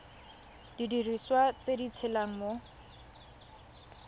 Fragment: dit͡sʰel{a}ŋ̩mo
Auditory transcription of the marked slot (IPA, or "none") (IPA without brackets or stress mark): a